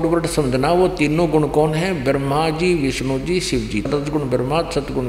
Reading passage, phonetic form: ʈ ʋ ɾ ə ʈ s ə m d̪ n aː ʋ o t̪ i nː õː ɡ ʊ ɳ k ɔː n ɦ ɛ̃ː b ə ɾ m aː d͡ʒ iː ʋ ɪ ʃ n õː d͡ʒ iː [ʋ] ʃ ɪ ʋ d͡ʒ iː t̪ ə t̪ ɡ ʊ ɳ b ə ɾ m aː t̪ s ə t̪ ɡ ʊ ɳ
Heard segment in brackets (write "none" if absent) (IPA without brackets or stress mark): none